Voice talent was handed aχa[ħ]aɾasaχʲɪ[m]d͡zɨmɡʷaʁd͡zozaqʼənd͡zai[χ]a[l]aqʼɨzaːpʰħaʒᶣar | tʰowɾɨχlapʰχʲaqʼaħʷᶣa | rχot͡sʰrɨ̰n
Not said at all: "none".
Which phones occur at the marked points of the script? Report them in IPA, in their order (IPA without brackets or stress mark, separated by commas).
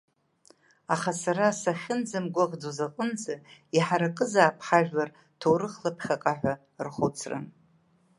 s, n, ħ, ɾ